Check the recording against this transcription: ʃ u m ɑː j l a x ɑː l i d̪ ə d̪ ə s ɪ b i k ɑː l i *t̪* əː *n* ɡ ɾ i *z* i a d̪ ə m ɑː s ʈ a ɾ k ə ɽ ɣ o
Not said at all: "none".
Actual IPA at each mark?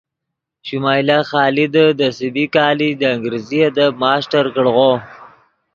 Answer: d̪, ŋ, z

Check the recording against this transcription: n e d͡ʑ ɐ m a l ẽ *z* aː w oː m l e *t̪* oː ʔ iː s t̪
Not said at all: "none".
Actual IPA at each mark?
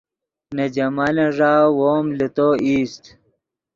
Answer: ʐ, t̪

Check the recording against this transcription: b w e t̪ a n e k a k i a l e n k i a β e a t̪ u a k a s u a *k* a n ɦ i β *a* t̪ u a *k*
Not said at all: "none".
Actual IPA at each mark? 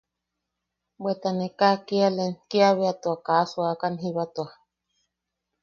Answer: k, a, none

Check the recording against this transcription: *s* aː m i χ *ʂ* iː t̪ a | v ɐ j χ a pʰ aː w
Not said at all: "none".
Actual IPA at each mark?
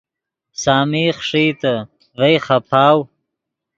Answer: s, ʂ

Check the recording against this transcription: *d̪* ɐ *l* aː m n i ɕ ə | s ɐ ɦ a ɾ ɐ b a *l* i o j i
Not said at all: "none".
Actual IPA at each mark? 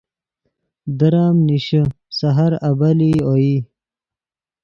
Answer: d̪, ɾ, l

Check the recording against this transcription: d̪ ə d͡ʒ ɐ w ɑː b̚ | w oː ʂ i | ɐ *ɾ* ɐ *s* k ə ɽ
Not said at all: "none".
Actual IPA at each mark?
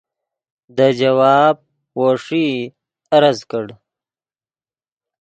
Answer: ɾ, z

